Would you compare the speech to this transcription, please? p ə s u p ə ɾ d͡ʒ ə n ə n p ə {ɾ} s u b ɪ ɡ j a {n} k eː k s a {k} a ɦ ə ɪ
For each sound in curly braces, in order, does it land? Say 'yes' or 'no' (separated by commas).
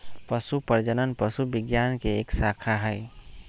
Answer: no, yes, no